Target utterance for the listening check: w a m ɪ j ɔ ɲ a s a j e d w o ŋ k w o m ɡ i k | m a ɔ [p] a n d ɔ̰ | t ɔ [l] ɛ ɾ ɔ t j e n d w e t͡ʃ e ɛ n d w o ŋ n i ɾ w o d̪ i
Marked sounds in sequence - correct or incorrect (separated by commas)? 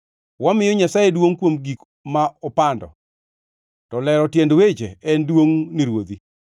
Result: correct, correct